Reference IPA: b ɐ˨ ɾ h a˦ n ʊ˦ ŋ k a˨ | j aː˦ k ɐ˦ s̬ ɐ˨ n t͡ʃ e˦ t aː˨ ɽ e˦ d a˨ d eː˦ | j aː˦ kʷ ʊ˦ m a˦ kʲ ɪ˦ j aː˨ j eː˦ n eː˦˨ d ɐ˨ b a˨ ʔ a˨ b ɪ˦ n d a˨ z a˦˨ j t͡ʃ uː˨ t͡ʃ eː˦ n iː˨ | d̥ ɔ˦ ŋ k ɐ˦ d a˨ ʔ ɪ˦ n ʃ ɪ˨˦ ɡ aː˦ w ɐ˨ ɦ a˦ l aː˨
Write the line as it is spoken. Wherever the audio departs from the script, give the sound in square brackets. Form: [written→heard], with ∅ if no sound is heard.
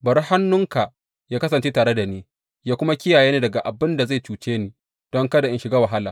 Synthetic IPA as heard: b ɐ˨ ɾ h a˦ [n→nː] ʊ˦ ŋ k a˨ | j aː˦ k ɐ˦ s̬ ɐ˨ n t͡ʃ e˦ t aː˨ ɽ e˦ d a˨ [d→n] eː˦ | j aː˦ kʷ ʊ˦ m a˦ kʲ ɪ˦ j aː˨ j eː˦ n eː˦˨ d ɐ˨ [b→ɡ] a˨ ʔ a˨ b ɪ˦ n d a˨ z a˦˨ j t͡ʃ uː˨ t͡ʃ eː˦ n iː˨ | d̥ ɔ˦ ŋ k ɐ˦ d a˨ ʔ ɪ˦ n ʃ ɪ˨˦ ɡ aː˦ w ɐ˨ ɦ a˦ l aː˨